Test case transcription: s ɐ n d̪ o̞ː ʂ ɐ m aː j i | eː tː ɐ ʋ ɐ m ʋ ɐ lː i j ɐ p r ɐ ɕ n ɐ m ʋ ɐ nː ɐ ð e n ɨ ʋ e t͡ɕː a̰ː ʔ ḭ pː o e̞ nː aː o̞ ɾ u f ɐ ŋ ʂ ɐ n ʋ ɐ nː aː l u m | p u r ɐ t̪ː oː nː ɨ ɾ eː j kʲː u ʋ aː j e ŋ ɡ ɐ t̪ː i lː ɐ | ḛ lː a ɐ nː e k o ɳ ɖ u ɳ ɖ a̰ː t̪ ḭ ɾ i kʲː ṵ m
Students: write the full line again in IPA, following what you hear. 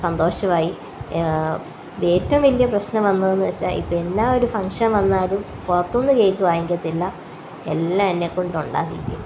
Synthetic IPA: s ɐ n d̪ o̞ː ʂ ɐ m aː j i | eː tː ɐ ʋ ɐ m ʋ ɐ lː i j ɐ p r ɐ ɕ n ɐ m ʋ ɐ nː ɐ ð e nː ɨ ʋ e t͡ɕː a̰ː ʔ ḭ pː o e̞ nː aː o̞ ɾ u f ɐ ŋ ʂ ɐ n ʋ ɐ nː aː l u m | p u r ɐ t̪ː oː nː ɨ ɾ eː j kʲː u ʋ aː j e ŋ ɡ ɐ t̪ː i lː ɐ | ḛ lː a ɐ nː e k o ɳ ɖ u ɳ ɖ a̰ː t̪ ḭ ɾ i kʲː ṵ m